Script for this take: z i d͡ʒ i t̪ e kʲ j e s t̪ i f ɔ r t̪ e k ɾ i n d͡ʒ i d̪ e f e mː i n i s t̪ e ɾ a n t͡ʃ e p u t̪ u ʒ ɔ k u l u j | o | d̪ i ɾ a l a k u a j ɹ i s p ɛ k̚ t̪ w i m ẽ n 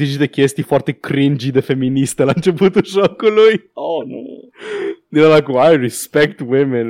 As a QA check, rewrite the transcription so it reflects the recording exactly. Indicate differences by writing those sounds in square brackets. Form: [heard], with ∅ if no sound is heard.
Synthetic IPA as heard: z i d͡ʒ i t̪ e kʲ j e s t̪ i f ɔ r t̪ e k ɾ i n d͡ʒ i d̪ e f e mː i n i s t̪ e [l] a n t͡ʃ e p u t̪ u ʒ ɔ k u l u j | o | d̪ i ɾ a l a k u a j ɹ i s p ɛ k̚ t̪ w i m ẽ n